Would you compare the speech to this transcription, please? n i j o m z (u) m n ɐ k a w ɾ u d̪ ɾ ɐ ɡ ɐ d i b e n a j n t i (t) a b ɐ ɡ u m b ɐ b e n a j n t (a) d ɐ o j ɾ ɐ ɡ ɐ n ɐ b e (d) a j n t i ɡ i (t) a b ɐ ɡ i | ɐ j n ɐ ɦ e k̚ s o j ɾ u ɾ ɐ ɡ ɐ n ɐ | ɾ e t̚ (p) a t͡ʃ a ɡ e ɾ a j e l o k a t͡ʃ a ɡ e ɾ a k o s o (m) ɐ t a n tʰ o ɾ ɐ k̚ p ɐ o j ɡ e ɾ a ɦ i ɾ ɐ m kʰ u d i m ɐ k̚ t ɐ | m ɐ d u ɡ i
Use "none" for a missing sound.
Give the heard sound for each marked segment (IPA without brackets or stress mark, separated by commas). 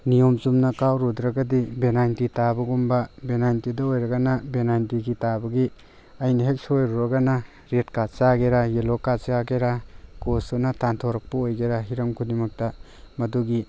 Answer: u, t, i, n, t, k, n